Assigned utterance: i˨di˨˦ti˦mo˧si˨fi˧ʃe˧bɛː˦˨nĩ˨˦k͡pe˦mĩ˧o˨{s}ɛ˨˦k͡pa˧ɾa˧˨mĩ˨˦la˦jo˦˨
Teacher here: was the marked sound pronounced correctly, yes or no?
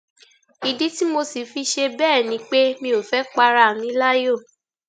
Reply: no